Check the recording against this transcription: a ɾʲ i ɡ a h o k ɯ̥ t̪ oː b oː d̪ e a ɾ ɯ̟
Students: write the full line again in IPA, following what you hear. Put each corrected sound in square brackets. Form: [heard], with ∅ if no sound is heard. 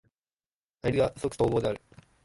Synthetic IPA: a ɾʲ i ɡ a [s] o k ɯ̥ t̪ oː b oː d̪ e a ɾ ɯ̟